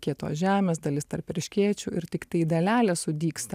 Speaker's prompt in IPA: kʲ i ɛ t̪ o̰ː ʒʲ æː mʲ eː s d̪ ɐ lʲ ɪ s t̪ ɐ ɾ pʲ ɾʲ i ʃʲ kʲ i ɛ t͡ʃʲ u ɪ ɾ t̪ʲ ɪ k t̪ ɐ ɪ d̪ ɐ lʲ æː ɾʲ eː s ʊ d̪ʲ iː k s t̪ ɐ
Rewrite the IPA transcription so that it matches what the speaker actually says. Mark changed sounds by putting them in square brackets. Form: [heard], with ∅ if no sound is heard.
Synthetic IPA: kʲ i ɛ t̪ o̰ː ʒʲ æː mʲ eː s d̪ ɐ lʲ ɪ s t̪ ɐ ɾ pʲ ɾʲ [ɪ] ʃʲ kʲ i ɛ t͡ʃʲ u ɪ ɾ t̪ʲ ɪ k t̪ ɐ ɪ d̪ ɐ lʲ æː [lʲ] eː s ʊ d̪ʲ iː k s t̪ ɐ